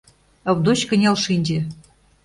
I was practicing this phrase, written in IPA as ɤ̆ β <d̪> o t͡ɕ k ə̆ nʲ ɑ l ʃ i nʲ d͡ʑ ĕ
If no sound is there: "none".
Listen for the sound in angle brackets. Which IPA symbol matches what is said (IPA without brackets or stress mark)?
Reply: d̪